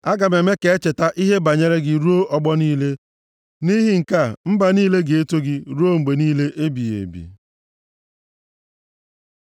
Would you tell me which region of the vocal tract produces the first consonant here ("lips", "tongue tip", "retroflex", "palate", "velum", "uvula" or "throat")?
velum